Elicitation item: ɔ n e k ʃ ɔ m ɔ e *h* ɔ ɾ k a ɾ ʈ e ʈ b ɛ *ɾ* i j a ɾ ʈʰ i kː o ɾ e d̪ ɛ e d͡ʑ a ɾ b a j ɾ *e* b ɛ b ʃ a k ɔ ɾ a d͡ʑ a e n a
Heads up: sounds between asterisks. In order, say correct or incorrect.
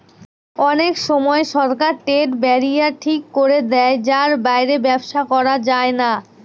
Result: incorrect, correct, correct

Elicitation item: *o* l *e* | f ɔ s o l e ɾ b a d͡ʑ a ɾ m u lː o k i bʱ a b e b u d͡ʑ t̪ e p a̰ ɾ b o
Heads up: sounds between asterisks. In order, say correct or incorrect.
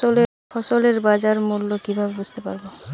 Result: correct, correct

